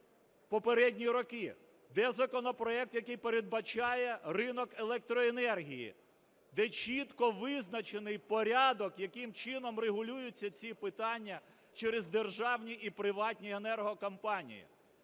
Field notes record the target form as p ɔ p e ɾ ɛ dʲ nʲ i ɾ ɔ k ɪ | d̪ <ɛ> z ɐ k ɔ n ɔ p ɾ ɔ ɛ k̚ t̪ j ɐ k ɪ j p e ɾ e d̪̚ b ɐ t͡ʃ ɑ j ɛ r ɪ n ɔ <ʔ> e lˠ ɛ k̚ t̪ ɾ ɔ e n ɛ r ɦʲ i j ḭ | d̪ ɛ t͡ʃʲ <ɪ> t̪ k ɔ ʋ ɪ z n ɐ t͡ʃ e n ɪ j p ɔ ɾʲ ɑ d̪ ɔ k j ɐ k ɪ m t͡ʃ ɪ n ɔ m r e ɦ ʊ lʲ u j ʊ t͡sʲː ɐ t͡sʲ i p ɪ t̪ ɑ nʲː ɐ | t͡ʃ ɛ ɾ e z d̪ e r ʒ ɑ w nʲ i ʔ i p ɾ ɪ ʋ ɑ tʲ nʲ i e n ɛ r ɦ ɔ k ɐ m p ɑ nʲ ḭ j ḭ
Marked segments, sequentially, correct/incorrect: correct, incorrect, incorrect

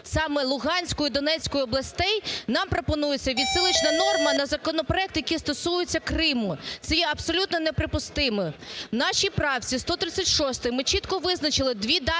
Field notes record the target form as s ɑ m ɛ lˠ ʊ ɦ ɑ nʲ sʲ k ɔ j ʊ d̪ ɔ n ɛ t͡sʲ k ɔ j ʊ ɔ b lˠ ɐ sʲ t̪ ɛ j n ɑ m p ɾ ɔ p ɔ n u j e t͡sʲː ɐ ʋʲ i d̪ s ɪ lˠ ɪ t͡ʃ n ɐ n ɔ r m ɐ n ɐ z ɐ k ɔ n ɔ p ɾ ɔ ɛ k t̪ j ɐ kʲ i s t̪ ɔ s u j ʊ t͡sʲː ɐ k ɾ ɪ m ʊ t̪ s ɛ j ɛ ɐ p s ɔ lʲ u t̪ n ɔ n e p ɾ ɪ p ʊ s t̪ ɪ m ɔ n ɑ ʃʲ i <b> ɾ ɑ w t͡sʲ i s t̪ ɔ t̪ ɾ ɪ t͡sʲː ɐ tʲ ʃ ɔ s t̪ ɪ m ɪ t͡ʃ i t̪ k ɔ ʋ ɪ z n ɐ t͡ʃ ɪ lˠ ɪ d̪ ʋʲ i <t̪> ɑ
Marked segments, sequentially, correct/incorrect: incorrect, incorrect

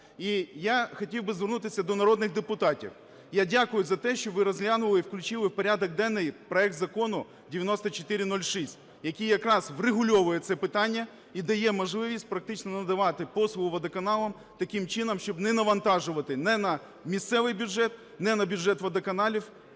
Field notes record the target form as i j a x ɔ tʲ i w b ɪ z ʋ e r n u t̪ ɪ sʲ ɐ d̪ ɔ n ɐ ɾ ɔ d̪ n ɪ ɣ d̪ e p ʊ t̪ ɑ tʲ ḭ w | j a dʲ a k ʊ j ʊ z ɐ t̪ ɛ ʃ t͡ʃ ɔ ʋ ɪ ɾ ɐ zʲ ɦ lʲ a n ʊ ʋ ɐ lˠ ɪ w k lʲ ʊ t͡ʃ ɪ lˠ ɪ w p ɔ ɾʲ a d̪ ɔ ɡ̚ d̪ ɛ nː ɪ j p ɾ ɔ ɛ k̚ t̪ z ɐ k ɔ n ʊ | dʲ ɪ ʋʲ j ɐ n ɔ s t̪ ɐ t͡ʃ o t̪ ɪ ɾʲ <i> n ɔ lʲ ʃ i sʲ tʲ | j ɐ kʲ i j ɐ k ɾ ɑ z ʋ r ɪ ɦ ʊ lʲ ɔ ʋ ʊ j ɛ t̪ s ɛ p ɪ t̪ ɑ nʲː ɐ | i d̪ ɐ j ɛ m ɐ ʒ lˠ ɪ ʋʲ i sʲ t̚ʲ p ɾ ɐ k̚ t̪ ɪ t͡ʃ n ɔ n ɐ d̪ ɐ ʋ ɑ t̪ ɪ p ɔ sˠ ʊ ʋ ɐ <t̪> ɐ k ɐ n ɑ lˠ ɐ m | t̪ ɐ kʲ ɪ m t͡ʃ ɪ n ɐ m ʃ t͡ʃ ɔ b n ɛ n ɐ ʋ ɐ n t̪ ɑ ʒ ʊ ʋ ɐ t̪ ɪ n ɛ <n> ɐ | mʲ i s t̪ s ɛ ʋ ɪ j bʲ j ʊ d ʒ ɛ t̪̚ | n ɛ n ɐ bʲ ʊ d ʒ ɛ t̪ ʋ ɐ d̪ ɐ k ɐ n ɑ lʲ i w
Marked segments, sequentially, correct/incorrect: incorrect, incorrect, correct

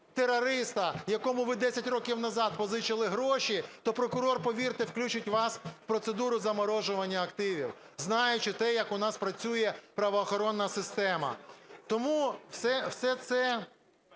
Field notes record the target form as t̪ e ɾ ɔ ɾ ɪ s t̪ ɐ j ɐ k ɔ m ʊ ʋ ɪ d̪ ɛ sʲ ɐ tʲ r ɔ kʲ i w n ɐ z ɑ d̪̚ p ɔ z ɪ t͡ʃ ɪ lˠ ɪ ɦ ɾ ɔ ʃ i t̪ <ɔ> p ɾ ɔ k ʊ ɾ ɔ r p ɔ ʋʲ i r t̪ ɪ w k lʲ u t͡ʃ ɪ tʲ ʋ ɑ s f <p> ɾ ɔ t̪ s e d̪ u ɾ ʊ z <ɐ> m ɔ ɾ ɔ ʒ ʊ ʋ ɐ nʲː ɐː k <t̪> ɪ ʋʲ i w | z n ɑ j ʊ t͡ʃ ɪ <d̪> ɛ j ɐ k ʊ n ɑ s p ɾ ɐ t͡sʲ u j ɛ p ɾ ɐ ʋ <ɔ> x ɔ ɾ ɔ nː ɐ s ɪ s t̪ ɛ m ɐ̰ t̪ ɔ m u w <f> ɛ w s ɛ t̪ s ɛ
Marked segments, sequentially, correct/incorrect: correct, correct, correct, correct, incorrect, incorrect, incorrect

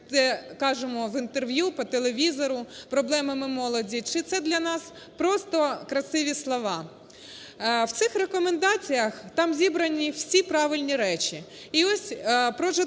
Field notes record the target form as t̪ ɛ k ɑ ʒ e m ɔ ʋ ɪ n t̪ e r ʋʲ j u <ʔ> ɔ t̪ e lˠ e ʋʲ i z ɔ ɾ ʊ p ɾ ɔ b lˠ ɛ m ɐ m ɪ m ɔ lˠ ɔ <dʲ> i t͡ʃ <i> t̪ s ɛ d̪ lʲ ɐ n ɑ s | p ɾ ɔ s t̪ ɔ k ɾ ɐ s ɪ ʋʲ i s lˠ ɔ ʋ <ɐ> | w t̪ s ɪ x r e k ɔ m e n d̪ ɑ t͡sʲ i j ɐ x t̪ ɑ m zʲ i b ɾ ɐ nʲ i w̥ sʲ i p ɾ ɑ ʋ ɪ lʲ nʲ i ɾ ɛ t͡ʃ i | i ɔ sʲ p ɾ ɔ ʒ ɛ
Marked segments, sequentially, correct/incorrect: incorrect, correct, incorrect, incorrect

